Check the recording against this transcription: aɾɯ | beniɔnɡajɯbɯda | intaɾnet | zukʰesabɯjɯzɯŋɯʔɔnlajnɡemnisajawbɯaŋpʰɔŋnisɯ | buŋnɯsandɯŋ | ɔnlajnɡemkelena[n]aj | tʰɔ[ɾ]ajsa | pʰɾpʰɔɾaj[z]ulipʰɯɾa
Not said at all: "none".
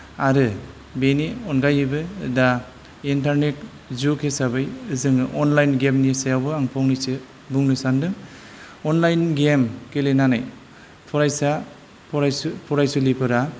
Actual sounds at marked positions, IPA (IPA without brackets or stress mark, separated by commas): n, ɾ, s